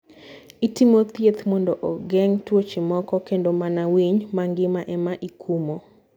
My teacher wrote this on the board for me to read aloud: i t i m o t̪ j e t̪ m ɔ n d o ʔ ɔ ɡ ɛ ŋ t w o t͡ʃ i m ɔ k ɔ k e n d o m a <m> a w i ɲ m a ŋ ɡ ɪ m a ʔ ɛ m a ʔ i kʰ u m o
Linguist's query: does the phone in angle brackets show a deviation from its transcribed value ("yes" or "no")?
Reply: yes